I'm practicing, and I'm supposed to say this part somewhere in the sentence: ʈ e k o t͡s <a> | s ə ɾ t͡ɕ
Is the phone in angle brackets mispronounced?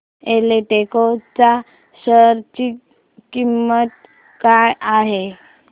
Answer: no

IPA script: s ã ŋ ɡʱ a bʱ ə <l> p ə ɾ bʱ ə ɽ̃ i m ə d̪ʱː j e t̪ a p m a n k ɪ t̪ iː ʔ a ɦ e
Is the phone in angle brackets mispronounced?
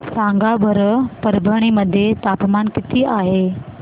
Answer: yes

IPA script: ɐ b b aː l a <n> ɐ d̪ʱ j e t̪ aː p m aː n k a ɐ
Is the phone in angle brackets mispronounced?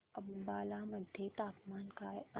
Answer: yes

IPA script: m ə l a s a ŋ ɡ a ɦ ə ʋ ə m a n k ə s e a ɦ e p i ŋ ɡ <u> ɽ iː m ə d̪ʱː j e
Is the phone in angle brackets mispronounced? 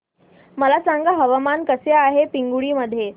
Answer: no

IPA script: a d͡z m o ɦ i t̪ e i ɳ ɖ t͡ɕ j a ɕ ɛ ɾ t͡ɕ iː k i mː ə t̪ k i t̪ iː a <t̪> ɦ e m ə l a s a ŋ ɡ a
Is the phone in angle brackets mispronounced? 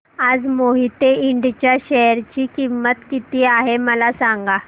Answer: yes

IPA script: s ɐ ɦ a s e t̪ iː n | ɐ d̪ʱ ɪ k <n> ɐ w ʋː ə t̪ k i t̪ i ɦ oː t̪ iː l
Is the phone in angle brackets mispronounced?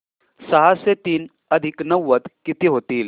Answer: no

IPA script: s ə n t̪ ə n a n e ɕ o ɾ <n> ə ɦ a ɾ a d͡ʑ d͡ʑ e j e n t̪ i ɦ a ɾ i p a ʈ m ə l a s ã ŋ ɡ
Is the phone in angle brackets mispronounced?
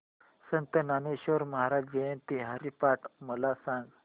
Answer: yes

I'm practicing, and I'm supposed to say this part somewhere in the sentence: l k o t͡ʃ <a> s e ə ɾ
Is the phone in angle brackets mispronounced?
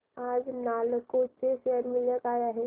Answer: yes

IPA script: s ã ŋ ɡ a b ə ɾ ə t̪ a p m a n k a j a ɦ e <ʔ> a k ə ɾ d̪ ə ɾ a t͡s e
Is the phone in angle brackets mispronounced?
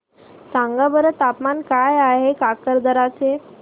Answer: yes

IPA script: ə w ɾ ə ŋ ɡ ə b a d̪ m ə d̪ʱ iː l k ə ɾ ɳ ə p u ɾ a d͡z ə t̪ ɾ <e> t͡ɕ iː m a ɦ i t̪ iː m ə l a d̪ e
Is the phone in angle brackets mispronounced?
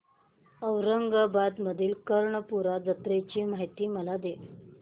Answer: no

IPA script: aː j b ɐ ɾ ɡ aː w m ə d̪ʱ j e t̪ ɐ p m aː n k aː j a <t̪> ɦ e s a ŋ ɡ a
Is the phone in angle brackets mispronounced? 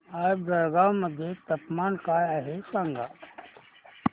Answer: yes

